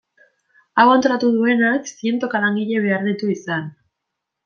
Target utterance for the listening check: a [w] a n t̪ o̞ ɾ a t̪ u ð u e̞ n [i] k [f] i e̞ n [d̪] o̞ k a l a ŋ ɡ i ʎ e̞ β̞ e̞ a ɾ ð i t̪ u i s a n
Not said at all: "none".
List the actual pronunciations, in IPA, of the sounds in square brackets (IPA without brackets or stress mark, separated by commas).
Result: w, a, s, t̪